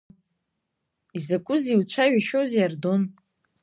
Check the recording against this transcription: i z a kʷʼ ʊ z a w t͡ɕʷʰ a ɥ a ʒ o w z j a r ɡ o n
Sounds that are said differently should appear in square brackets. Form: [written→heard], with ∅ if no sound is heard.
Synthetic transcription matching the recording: i z a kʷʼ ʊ z [a→i] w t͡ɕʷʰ a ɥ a [ʒ→ʃ] o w z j a r [ɡ→d] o n

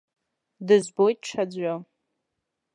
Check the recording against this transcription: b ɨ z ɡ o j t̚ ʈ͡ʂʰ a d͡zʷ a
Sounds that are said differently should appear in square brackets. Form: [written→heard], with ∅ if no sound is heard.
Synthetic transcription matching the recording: [b→d] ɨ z [ɡ→b] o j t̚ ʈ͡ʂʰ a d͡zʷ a

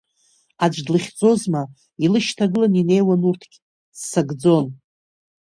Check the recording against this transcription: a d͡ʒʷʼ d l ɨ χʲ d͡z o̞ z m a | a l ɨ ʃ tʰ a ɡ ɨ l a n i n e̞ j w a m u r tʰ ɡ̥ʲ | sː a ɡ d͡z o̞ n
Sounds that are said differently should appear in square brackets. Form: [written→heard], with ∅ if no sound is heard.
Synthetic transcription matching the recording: a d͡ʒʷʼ d l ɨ χʲ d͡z o̞ z m a | [a→i] l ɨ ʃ tʰ a ɡ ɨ l a n i n e̞ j w a [m→n] u r tʰ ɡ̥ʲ | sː a ɡ d͡z o̞ n

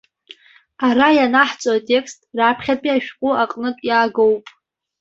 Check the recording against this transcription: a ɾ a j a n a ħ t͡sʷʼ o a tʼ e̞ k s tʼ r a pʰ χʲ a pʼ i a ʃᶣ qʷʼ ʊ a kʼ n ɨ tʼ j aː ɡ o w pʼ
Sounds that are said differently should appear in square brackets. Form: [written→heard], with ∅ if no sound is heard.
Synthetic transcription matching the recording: a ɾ a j a n a ħ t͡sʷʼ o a tʼ e̞ k s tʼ r a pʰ χʲ a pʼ i a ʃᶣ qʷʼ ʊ a [kʼ→qʼ] n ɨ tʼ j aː ɡ o w pʼ

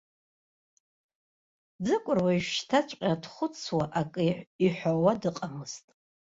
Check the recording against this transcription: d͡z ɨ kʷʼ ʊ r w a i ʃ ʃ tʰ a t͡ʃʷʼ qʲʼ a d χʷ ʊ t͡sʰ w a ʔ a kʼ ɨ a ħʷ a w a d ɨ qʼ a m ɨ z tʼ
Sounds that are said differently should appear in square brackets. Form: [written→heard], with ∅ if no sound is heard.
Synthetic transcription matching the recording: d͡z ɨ kʷʼ ʊ r w a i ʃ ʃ tʰ a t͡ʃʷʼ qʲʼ a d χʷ ʊ t͡sʰ w a ʔ a kʼ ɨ [a→i] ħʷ a w a d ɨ qʼ a m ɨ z tʼ

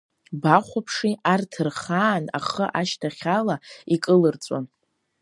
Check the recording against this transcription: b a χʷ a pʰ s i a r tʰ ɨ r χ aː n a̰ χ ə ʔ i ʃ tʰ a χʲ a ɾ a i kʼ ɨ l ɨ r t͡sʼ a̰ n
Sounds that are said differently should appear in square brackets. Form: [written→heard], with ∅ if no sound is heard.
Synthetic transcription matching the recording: b a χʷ a pʰ [s→ʂ] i a r tʰ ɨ r χ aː n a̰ χ ə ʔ [i→a] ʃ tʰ a χʲ a [ɾ→l] a i kʼ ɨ l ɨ r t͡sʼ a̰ n

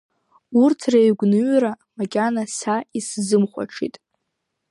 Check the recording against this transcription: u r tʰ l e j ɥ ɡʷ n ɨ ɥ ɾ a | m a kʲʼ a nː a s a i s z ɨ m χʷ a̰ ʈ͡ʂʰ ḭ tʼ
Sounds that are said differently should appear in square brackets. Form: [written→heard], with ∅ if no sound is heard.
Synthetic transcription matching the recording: u r tʰ [l→r] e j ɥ ɡʷ n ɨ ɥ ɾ a | m a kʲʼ a [nː→n] a s a i s z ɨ m χʷ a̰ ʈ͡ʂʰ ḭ tʼ

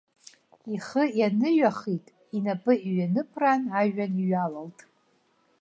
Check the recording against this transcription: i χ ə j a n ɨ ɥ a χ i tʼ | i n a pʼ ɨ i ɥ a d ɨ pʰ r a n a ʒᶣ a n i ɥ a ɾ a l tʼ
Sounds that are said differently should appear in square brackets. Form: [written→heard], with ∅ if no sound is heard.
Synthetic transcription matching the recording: i χ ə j a n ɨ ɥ a χ i tʼ | i n a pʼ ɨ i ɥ a [d→n] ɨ pʰ r a n a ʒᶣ a n i ɥ a [ɾ→l] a l tʼ

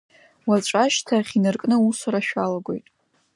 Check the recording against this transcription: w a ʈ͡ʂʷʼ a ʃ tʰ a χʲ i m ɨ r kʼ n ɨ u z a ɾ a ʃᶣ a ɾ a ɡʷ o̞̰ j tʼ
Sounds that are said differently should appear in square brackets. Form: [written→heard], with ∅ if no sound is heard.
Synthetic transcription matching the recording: w a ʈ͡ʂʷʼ a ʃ tʰ a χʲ i [m→n] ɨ r kʼ n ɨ u [z→s] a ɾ a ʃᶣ a [ɾ→l] a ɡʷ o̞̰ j tʼ

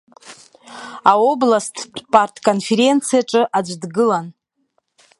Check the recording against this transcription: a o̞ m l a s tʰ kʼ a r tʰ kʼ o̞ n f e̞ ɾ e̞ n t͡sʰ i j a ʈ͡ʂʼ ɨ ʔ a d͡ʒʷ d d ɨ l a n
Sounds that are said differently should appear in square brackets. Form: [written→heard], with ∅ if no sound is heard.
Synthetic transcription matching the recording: a o̞ [m→b] l a s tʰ [kʼ→pʼ] a r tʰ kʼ o̞ n f e̞ ɾ e̞ n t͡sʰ i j a ʈ͡ʂʼ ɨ ʔ a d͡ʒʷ d [d→ɡ] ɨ l a n

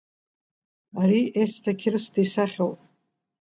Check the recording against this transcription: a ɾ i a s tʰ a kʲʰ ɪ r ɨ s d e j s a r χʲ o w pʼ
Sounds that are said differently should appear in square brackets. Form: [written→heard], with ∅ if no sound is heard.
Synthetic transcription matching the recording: a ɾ i [a→e] s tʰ a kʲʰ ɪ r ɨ s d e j s a [r→∅] χʲ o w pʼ

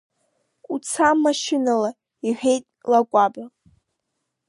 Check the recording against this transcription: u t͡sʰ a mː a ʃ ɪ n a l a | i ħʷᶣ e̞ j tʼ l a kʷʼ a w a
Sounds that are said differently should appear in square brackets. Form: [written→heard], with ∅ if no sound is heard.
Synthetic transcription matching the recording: u t͡sʰ a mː a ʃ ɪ n a l a | i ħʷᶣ e̞ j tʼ l a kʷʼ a [w→b] a

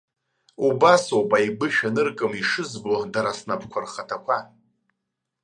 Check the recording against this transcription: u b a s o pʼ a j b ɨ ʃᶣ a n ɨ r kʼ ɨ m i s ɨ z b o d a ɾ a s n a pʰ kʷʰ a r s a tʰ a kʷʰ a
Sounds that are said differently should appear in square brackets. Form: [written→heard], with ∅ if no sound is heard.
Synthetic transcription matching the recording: u b a s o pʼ a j b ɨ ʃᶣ a n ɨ r kʼ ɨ m i [s→ʂ] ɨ z b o d a ɾ a s n a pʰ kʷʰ a r [s→χ] a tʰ a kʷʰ a

